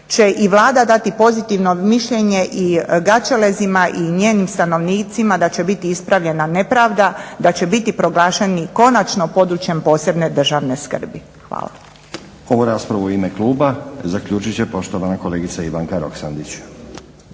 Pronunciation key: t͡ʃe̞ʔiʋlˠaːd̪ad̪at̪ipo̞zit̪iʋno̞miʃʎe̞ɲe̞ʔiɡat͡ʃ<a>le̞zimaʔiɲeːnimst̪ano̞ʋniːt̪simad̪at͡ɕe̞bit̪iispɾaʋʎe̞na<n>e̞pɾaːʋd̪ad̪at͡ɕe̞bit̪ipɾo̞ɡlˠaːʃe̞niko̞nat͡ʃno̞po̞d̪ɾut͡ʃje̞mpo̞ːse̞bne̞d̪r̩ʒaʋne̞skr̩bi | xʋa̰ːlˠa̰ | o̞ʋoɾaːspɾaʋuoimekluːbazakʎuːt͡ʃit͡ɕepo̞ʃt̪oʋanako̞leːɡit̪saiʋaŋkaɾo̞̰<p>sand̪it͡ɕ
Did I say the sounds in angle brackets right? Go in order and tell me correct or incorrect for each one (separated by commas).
incorrect, correct, incorrect